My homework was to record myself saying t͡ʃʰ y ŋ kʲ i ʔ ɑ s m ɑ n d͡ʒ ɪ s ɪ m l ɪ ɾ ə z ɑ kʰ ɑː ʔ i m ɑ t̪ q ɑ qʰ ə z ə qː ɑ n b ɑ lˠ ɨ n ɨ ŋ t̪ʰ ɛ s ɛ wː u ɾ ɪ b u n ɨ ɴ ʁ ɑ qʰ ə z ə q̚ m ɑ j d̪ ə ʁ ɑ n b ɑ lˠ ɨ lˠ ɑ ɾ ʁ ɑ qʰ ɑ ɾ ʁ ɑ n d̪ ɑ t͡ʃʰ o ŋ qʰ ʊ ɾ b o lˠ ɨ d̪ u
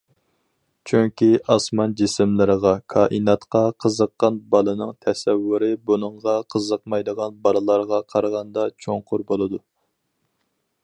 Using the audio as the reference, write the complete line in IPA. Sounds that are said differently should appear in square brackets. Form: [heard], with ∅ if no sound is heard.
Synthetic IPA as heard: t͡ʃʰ y ŋ kʲ i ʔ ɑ s m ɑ n d͡ʒ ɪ s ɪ m l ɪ ɾ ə [ʁ] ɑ kʰ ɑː ʔ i [n] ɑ t̪ q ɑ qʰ ə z ə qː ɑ n b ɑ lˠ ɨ n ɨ ŋ t̪ʰ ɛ s ɛ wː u ɾ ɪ b u n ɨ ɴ ʁ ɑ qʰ ə z ə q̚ m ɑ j d̪ ə ʁ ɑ n b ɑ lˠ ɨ lˠ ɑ ɾ ʁ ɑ qʰ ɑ ɾ ʁ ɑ n d̪ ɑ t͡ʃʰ o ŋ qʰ ʊ ɾ b o lˠ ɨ d̪ u